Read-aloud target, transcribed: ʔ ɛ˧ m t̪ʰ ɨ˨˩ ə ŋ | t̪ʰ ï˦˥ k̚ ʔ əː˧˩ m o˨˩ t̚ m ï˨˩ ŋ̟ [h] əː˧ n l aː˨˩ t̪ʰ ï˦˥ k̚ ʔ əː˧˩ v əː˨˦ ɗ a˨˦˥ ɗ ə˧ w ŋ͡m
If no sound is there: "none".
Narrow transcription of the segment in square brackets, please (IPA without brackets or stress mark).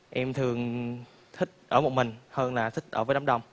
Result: h